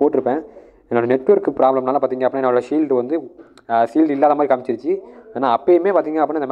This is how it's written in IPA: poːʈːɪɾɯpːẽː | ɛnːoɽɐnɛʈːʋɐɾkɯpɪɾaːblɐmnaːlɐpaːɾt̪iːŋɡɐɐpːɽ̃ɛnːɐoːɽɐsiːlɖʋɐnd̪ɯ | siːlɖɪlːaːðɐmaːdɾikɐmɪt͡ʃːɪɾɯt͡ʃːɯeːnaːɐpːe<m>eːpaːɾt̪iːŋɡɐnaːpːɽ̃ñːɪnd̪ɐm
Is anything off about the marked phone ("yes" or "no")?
no